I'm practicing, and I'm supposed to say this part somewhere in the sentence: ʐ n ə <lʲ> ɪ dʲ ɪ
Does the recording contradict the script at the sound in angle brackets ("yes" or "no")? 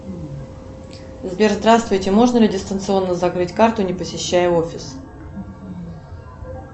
no